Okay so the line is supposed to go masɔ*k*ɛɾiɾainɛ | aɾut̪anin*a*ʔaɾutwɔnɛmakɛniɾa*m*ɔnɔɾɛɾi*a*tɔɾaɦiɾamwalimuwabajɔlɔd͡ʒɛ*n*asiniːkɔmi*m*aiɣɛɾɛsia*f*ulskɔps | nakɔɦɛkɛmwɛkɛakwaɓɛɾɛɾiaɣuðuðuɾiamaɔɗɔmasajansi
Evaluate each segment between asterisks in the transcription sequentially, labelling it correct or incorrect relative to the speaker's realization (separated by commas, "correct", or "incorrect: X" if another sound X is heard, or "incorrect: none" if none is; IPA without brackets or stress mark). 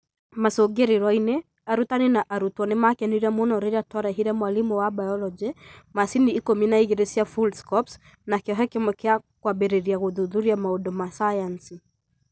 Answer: incorrect: ɡ, correct, correct, correct, incorrect: m, incorrect: n, correct